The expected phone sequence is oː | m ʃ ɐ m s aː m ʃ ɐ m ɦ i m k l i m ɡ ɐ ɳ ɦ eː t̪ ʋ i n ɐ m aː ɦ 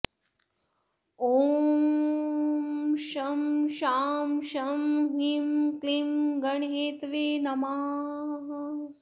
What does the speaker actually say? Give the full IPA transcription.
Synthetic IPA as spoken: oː | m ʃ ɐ m ʃ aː m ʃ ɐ m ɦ i m k l i m ɡ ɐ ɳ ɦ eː t̪ ʋ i n ɐ m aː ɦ